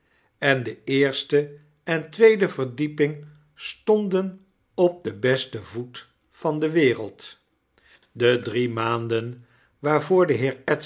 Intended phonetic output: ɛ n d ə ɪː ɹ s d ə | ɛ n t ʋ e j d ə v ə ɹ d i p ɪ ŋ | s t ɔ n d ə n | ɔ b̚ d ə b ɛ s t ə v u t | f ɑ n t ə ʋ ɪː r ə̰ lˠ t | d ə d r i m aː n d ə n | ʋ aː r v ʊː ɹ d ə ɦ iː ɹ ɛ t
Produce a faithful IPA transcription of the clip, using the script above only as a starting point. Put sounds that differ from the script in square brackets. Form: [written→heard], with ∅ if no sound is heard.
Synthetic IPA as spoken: ɛ n d ə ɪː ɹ s [d→t] ə | ɛ n t ʋ e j d ə v ə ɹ d i p ɪ ŋ | s t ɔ n d ə n | ɔ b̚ d ə b ɛ s t ə v u t | f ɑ n [t→d] ə ʋ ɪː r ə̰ lˠ t | d ə d r i m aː n d ə n | ʋ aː [r→ɹ] v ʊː ɹ d ə ɦ [iː→ɪː] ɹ ɛ t

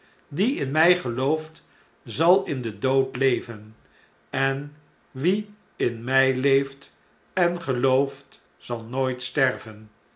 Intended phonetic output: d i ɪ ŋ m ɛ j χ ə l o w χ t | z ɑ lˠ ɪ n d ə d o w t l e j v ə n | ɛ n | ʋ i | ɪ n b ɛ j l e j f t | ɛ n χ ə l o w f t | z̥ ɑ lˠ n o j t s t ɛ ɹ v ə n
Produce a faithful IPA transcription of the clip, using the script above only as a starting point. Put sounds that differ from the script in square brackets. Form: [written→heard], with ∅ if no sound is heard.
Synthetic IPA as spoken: d i ɪ [ŋ→n] m ɛ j χ ə l o w [χ→f] t | z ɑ lˠ ɪ n d ə d o w t l e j v ə n | ɛ n | ʋ i | ɪ n [b→m] ɛ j l e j f t | ɛ n χ ə l o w f t | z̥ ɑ lˠ n o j t s t ɛ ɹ v ə n

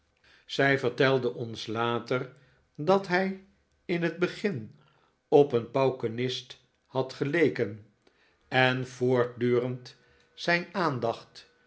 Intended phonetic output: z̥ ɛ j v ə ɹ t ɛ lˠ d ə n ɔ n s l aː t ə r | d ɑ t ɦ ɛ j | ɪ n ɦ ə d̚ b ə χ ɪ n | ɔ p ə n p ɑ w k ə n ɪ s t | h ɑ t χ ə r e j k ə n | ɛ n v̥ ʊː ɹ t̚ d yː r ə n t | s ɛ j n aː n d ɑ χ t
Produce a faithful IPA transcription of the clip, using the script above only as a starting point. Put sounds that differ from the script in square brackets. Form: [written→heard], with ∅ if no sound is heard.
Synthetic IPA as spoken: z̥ ɛ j v ə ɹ t ɛ lˠ d ə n ɔ n s l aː t ə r | d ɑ t ɦ ɛ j | ɪ n ɦ ə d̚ b ə χ ɪ n | ɔ p ə n p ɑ w k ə n ɪ s t | h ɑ t χ ə [r→l] e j k ə n | ɛ n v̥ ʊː ɹ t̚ d yː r ə n t | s ɛ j n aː n d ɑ χ t

